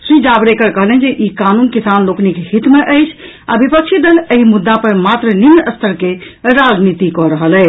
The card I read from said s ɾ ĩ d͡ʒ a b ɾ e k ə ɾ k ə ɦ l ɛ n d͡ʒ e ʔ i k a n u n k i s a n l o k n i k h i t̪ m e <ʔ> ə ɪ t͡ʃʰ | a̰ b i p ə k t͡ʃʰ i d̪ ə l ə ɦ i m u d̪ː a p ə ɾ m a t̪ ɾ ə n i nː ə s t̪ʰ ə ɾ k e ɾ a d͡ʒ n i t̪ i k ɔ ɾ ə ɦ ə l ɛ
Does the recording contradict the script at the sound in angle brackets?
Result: no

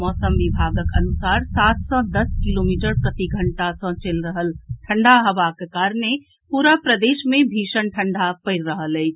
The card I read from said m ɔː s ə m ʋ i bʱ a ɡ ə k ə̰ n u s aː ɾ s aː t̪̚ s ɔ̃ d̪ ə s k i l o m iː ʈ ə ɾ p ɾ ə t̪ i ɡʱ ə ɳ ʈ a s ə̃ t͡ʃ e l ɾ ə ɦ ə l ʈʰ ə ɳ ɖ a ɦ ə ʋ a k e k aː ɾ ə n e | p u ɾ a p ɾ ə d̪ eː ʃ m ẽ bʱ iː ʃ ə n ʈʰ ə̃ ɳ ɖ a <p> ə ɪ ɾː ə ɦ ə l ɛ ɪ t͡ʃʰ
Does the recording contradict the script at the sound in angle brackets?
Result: no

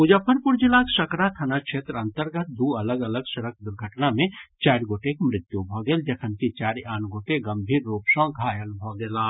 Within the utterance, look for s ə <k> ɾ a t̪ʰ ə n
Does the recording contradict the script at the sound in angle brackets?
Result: no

